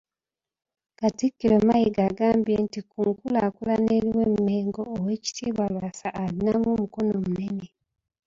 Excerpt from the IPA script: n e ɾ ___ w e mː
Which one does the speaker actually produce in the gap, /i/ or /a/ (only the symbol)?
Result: i